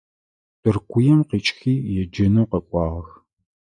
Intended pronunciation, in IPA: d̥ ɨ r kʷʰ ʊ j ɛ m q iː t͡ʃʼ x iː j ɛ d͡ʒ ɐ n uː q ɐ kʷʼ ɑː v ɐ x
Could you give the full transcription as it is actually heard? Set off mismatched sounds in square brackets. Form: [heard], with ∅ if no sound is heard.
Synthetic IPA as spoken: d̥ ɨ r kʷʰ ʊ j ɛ m q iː t͡ʃʼ x iː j ɛ d͡ʒ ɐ n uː q ɐ kʷʼ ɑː [ʁ] ɐ x